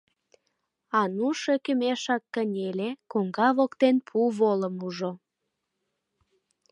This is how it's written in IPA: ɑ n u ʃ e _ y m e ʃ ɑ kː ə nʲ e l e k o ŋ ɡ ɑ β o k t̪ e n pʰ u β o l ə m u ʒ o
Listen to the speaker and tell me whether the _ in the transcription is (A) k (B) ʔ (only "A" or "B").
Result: A